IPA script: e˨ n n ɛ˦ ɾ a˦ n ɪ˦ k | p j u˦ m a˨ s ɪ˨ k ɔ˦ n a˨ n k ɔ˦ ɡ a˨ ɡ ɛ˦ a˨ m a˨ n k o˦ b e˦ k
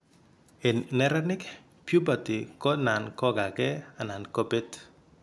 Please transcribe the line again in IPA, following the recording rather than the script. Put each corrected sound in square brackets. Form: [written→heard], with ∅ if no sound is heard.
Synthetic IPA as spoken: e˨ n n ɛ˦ ɾ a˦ n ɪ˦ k | p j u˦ [m→b] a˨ [s→t] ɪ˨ k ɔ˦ n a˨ n k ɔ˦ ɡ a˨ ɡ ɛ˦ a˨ [m→n] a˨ n k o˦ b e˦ [k→t]